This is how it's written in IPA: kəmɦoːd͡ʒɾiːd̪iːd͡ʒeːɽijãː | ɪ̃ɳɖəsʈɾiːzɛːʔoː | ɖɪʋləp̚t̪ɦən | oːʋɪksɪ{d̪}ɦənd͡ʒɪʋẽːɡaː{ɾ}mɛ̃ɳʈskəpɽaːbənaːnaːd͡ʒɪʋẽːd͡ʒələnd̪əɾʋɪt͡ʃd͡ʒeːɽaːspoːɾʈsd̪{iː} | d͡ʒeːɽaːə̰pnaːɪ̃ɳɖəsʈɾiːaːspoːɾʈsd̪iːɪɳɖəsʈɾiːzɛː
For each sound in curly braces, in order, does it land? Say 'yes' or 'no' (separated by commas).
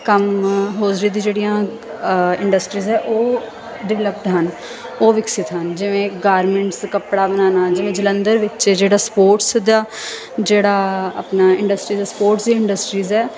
no, yes, no